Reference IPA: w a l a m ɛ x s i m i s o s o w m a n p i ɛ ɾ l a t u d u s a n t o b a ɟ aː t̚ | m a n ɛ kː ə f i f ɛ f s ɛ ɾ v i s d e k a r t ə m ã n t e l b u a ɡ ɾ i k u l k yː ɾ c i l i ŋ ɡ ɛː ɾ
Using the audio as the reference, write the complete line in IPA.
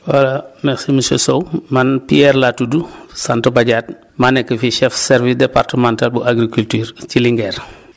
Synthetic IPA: w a l a m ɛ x s i m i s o s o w m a n p i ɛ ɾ l a t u d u s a n t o b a ɟ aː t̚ | m a n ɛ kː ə f i ʃ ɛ f s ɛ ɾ v i s d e p a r t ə m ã n t a l b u a ɡ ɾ i k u l t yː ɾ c i l i ŋ ɡ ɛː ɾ